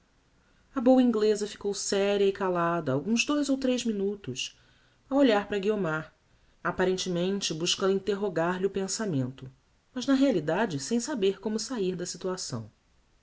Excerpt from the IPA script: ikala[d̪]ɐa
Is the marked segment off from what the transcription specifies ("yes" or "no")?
no